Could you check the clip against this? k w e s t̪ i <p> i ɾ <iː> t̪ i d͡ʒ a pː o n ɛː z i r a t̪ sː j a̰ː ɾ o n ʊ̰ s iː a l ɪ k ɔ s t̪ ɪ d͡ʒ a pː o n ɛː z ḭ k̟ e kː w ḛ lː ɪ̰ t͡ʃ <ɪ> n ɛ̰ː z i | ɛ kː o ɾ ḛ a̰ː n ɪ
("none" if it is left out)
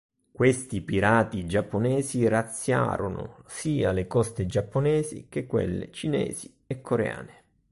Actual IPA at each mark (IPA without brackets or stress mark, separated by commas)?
p, aː, i